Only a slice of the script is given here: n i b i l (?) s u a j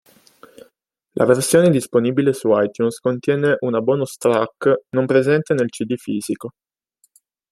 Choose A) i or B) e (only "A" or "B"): B